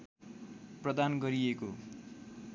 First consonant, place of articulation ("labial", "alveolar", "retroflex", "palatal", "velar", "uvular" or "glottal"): labial